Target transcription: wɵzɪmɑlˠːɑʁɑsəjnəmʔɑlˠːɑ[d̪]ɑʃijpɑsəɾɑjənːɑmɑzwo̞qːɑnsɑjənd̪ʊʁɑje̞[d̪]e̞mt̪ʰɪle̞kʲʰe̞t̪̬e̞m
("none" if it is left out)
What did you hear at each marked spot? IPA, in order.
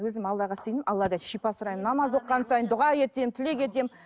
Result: d̪, t̪

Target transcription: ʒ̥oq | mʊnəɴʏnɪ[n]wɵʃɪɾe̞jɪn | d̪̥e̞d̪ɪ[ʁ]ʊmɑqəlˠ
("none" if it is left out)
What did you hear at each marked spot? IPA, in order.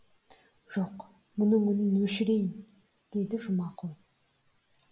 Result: n, ʒ

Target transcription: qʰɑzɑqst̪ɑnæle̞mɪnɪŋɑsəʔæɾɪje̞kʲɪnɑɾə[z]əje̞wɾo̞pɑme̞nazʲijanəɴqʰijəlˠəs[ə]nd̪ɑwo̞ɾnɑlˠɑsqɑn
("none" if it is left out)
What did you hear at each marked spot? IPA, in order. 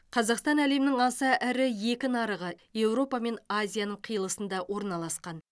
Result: ʁ, ə

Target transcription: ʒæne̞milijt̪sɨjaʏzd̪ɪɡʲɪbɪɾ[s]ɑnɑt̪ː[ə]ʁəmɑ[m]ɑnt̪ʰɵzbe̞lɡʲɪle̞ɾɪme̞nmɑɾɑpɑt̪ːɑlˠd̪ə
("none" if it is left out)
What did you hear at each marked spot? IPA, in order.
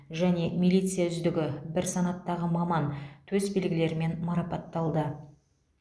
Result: s, ɑ, m

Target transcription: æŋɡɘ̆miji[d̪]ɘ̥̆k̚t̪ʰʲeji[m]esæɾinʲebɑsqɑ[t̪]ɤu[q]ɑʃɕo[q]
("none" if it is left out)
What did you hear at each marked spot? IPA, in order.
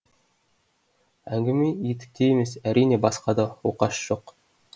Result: t̪, m, d̪, q, q

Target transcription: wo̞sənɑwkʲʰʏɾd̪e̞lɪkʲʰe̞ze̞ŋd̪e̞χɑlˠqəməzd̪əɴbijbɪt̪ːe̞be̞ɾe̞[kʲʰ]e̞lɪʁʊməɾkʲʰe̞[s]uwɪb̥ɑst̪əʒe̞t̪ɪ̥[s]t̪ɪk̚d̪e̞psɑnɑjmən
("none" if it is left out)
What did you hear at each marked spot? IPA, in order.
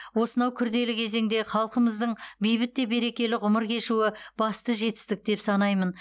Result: kʲ, ʃ, s

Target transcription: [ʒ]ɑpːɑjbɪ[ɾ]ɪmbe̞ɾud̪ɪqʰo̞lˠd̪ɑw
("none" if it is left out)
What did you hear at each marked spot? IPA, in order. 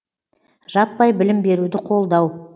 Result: ʒ, l

